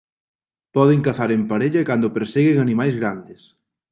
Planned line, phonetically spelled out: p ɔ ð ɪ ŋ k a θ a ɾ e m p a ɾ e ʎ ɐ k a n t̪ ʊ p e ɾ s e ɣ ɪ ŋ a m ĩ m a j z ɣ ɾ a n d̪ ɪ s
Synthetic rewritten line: p ɔ ð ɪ ŋ k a θ a ɾ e m p a ɾ e ʎ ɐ k a n d̪ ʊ p e ɾ s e ɣ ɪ ŋ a n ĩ m a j z ɣ ɾ a n d̪ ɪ s